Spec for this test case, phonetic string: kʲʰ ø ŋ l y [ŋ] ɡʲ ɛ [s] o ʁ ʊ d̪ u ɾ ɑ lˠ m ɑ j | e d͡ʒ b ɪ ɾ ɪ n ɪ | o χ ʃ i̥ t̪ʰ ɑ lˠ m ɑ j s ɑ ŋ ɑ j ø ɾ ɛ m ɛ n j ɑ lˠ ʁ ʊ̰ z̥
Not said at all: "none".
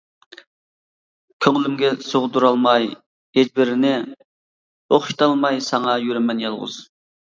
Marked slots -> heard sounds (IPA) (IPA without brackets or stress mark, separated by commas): m, s